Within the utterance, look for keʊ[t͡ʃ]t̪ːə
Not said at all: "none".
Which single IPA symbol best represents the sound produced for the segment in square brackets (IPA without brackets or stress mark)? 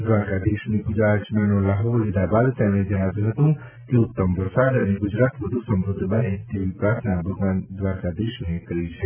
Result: none